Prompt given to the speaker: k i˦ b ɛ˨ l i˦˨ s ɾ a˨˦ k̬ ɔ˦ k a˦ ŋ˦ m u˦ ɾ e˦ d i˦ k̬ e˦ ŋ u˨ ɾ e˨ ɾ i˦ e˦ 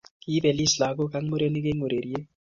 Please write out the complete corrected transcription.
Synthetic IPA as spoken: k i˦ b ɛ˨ l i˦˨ s l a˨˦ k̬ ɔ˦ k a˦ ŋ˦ m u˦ ɾ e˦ n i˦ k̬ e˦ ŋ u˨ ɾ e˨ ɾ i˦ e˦